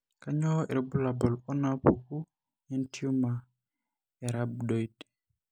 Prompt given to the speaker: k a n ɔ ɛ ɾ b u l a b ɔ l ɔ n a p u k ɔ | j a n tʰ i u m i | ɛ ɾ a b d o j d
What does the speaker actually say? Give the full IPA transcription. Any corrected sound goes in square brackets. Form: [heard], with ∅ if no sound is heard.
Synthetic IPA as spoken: k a [ɲ] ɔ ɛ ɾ b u l a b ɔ l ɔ n a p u k [u] | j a n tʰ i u m [a] | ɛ ɾ a b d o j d